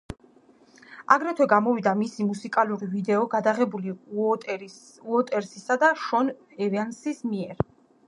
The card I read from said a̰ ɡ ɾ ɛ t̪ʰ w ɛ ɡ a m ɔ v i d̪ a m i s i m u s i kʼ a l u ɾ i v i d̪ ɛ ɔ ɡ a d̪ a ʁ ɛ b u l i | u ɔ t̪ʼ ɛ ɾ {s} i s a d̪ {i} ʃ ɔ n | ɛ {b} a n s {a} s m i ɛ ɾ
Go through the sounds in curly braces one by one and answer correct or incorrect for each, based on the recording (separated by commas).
correct, incorrect, incorrect, incorrect